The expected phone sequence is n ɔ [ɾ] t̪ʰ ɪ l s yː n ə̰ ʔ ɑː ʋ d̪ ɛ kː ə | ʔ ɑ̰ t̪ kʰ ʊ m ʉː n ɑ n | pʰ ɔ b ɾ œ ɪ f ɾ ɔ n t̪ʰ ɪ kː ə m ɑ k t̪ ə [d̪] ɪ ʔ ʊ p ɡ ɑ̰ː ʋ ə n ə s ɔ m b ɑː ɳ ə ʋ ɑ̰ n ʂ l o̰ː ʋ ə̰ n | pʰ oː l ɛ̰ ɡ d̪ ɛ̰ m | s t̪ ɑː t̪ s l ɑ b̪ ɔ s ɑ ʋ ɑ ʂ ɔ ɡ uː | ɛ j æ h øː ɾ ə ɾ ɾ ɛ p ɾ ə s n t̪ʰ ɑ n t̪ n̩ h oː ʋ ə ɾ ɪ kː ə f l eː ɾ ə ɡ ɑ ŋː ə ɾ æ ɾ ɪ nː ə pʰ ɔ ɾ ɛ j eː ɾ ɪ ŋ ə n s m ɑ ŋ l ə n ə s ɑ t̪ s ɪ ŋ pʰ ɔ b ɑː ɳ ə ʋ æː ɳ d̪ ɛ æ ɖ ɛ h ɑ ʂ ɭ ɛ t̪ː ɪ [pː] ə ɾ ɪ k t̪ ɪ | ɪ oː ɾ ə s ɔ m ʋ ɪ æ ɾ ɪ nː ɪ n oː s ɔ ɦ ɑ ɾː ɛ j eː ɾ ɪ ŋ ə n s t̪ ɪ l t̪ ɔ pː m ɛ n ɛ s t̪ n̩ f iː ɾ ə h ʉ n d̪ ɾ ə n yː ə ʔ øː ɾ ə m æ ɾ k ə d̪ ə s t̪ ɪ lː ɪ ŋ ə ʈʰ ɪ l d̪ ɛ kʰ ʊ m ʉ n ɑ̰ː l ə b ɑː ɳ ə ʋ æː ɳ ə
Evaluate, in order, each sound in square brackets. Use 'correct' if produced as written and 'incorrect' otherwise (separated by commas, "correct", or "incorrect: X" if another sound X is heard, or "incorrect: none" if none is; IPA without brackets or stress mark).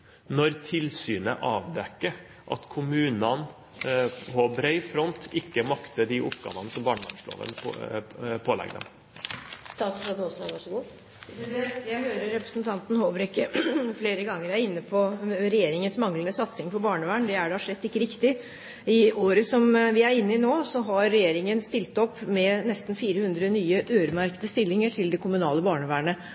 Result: correct, correct, incorrect: kː